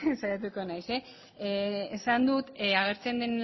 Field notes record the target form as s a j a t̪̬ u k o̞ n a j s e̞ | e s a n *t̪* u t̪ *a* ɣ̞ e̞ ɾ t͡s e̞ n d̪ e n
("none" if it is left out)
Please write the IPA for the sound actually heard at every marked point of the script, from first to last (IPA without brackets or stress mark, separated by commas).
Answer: d̪, a